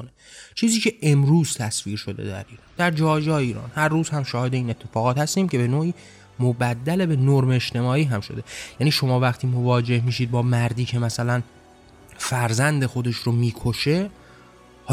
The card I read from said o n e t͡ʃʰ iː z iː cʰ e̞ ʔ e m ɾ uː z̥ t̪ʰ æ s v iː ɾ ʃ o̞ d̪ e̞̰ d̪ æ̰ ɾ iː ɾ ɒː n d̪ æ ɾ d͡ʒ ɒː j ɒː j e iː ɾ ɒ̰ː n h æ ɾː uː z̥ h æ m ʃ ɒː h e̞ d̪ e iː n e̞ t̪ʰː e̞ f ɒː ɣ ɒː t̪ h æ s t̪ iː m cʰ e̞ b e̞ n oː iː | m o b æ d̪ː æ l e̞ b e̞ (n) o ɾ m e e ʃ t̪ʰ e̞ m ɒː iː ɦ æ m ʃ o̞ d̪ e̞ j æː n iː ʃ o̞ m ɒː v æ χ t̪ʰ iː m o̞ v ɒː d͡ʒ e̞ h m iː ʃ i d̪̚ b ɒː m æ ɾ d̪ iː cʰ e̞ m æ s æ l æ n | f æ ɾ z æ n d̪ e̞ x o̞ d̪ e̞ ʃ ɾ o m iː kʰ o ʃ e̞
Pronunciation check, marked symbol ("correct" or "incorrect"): correct